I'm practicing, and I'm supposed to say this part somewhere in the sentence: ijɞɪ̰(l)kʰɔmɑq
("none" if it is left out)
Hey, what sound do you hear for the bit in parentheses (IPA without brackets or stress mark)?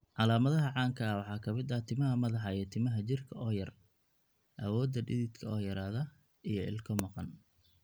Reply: l